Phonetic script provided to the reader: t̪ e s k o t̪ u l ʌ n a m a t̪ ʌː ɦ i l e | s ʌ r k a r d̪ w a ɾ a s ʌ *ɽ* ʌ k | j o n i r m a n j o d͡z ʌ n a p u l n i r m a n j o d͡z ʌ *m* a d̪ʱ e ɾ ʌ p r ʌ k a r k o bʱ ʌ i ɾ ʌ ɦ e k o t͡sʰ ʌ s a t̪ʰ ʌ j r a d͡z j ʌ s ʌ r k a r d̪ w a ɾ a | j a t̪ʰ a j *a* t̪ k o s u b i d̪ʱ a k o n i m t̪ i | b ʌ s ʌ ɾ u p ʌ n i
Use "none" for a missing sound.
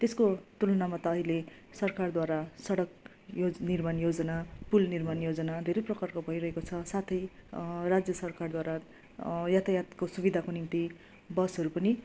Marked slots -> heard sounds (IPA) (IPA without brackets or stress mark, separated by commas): ɽ, n, a